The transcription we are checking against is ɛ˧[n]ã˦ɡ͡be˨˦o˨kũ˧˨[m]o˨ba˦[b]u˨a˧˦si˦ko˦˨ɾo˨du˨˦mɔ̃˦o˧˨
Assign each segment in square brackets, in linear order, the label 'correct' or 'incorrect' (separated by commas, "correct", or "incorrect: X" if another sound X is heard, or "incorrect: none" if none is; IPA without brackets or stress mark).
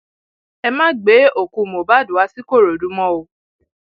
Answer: incorrect: m, correct, incorrect: d